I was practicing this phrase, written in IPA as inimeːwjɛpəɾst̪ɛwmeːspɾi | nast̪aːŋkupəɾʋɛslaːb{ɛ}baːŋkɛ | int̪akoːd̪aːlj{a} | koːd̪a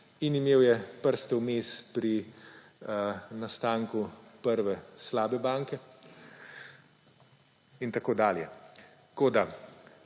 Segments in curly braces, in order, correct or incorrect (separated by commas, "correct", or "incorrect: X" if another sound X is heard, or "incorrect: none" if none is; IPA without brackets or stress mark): correct, incorrect: ɛ